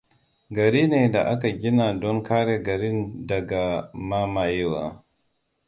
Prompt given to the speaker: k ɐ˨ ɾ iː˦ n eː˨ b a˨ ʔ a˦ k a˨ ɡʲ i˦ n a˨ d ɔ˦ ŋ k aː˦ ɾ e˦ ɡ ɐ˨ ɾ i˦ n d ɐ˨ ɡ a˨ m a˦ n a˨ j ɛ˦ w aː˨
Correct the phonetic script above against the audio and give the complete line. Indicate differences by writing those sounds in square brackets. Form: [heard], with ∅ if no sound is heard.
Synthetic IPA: [ɡ] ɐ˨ ɾ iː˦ n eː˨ [d] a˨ ʔ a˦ k a˨ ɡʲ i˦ n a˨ d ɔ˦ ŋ k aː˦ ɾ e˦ ɡ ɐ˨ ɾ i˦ n d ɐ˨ ɡ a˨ m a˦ [m] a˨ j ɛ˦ w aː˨